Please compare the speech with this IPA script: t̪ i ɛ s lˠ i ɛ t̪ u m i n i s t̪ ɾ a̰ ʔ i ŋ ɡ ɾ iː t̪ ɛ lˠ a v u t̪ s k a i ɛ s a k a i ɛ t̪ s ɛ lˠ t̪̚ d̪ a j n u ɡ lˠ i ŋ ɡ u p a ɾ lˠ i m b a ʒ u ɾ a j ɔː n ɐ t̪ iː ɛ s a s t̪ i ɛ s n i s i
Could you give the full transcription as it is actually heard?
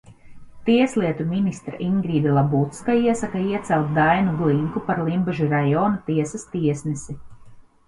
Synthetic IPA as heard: t̪ i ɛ s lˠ i ɛ t̪ u m i n i s t̪ ɾ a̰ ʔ i ŋ ɡ ɾ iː d̪ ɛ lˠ a b u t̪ s k a i ɛ s a k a i ɛ t̪ s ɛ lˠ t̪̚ d̪ a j n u ɡ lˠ i ŋ k u p a ɾ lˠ i m b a ʒ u ɾ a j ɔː n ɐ t̪ i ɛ s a s t̪ i ɛ s n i s i